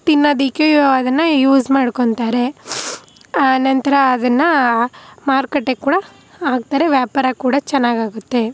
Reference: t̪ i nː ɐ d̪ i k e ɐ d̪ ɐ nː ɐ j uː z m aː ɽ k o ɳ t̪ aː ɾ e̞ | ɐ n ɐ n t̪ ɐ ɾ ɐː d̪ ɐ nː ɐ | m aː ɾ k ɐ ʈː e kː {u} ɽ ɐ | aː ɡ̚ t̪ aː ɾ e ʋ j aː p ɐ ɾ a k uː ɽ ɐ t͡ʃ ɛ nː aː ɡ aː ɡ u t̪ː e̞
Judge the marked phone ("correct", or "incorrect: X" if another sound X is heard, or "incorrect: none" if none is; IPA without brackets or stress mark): incorrect: uː